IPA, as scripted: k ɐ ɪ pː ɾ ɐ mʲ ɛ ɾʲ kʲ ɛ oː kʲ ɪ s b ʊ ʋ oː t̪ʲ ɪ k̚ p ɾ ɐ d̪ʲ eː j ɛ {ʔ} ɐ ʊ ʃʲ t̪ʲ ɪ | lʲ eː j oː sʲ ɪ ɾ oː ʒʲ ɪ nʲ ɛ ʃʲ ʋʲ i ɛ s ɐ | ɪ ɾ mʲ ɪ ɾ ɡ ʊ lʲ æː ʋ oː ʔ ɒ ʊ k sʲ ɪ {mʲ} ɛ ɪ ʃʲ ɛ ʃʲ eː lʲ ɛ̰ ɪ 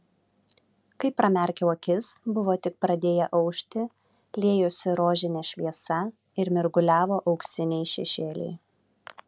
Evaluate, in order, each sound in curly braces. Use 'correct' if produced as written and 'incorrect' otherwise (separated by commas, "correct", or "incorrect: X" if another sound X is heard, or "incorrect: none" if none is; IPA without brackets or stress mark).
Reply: correct, incorrect: nʲ